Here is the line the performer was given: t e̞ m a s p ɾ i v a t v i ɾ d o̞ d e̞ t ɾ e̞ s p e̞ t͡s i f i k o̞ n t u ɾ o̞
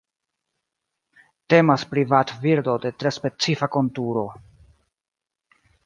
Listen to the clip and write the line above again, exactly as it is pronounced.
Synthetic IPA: t e̞ m a s p ɾ i v a t v i ɾ d o̞ d e̞ t ɾ e̞ s p e̞ t͡s i f a k o̞ n t u ɾ o̞